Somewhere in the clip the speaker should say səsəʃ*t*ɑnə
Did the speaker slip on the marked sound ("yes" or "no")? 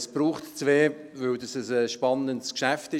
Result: yes